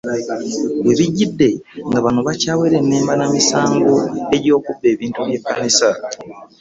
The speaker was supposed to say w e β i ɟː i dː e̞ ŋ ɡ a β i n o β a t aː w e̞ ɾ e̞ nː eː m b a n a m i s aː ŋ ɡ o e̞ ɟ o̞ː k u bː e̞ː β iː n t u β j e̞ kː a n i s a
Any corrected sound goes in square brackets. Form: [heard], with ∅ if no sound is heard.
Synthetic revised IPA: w e β i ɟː i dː e̞ ŋ ɡ a β [a] n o β a [c] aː w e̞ ɾ e̞ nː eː m b a n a m i s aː ŋ ɡ o e̞ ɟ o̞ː k u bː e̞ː β iː n t u β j e̞ kː a n i s a